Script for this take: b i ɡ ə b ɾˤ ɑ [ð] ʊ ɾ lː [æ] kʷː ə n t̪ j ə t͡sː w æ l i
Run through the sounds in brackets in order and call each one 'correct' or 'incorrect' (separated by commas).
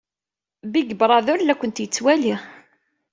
correct, correct